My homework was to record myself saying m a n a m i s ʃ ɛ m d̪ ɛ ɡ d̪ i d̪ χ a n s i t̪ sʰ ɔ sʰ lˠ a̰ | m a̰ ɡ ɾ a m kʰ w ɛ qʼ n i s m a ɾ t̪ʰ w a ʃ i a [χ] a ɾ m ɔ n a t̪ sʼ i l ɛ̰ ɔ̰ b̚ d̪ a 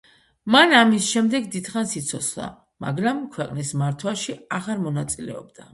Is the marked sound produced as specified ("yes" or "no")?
no